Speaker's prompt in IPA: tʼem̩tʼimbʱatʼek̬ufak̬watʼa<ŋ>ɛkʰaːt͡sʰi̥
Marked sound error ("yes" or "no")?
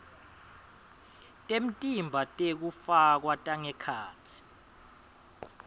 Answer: no